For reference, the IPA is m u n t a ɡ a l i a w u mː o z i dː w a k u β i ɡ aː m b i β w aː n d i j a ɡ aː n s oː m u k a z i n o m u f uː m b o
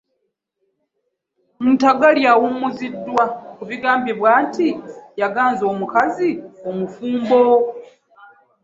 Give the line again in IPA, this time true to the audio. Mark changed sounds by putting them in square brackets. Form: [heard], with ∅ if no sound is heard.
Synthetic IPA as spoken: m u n t a ɡ a l [j] a w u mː [u] z i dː w a k u β i ɡ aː m b i β w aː n [t] i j a ɡ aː n [z] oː m u k a z i [∅] o m u f uː m b o